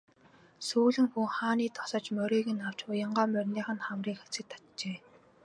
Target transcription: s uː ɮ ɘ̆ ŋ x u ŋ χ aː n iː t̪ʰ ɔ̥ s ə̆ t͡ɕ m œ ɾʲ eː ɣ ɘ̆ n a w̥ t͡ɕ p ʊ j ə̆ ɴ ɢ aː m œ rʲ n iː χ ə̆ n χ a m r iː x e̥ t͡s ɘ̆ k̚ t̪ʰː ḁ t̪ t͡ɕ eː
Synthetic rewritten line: s uː ɮ ɘ̆ ŋ x u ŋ χ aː n iː t̪ʰ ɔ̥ s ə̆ t͡ɕ m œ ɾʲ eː ɣ ɘ̆ n a w̥ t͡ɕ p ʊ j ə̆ ɴ ɢ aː m œ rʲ n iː χ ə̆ n χ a m r iː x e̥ t͡s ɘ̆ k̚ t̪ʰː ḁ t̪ t͡ɕ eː

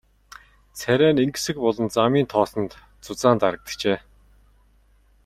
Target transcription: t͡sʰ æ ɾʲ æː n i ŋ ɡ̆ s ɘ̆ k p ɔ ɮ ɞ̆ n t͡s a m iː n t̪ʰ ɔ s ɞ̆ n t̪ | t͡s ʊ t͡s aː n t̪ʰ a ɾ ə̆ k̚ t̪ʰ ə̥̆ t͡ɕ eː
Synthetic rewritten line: t͡sʰ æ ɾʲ æː n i ŋ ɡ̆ s ɘ̆ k p ɔ ɮ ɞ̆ n t͡s a m iː n t̪ʰ ɔː s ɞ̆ n t̪ | t͡s ʊ t͡s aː n t̪ a ɾ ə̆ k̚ t̪ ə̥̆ t͡ɕ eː

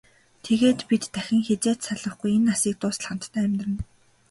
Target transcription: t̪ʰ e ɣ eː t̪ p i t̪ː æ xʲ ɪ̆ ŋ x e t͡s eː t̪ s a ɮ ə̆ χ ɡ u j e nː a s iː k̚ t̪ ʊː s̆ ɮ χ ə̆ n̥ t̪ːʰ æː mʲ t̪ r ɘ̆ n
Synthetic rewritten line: t̪ʰ e ɣ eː t̪ p i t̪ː æ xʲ ɪ̆ ŋ x e t͡s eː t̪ s a ɮ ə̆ χ ɡ u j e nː a s iː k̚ t̪ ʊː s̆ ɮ χ ə̆ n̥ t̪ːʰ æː mʲ t̪ r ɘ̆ n

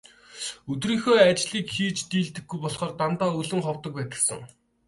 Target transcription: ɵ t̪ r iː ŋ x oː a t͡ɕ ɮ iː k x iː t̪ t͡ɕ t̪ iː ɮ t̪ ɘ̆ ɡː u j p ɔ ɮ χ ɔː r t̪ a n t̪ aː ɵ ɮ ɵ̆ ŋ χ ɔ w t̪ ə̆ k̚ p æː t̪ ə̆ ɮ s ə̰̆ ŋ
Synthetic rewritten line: ɵ t̪ r iː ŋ x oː a t͡ɕ ɮ iː k x iː t͡ɕ t̪ iː ɮ t̪ ɘ̆ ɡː u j p ɔ ɮ χ ɔː r t̪ a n t̪ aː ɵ ɮ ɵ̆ ŋ χ ɔ w t̪ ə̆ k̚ p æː t̪ ə̆ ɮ s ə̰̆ ŋ

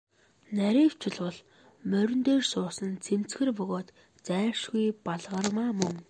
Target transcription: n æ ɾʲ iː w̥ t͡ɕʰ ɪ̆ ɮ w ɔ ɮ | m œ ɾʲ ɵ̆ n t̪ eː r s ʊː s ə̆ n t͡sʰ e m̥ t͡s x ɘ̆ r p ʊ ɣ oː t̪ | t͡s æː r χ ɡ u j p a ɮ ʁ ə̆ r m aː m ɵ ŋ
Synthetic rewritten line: n æ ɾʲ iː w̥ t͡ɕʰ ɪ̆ ɮ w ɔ ɮ | m œ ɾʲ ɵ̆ n t̪ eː r s ʊː s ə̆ n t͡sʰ e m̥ t͡s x ɘ̆ r p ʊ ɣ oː t̪ | t͡s æː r ʃ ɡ u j p a ɮ ʁ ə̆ r m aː m ɵ ŋ

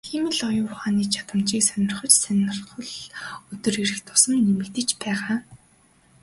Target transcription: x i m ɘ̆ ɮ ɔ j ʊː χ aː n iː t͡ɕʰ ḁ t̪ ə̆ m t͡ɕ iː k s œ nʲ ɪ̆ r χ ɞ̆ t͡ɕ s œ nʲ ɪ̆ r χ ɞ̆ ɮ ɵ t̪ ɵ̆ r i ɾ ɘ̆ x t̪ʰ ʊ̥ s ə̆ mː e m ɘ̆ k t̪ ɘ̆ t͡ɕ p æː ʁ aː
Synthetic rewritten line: x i m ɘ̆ ɮ ɔ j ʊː χ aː n iː t͡ɕʰ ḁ t̪ ə̆ m t͡ɕ iː k s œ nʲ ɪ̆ r χ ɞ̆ t͡ɕ s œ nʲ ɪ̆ r χ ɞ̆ ɮ ɵ t̪ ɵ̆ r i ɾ ɘ̆ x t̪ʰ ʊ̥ s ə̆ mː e m ɘ̆ k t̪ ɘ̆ t͡ɕ p æː ʁ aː

